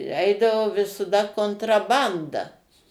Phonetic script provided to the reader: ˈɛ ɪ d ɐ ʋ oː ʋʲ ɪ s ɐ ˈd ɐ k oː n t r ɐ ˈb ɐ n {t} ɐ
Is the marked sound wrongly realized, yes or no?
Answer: yes